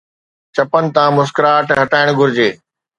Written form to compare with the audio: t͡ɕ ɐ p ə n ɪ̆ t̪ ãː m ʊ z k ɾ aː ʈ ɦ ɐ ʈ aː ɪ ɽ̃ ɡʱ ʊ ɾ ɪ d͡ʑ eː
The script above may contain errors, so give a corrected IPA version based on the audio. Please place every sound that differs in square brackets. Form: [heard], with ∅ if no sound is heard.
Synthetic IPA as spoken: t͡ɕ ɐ p ə n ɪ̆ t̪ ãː m ʊ [s] k ɾ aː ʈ ɦ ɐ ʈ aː ɪ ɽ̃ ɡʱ ʊ ɾ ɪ d͡ʑ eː